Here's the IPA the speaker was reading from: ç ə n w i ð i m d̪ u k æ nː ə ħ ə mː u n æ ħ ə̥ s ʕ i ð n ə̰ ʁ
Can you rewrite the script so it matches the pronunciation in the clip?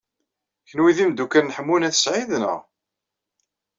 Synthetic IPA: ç ə n w i ð i m d̪ u k æ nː ə ħ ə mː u n æ θ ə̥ s ʕ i ð n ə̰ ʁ